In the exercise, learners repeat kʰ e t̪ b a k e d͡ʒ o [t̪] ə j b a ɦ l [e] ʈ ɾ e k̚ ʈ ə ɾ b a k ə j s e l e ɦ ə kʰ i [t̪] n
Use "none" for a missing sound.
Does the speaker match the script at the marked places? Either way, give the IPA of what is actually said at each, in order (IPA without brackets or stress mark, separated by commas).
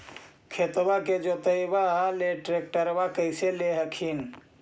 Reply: t̪, e, none